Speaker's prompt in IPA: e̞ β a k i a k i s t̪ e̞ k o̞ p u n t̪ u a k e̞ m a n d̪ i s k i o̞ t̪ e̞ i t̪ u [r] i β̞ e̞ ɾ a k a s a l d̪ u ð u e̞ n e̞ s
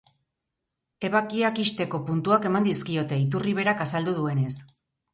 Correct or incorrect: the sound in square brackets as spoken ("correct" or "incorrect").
correct